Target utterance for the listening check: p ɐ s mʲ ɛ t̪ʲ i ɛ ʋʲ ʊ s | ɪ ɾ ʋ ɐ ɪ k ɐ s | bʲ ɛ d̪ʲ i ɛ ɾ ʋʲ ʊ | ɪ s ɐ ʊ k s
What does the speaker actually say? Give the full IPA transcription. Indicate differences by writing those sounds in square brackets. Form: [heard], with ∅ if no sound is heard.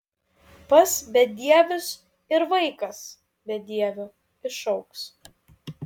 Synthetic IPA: p ɐ s [bʲ] ɛ [d̪ʲ] i ɛ ʋʲ ʊ s | ɪ ɾ ʋ ɐ ɪ k ɐ s | bʲ ɛ d̪ʲ i ɛ [∅] ʋʲ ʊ | ɪ [ʃ] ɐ ʊ k s